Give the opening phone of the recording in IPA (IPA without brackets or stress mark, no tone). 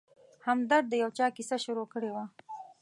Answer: h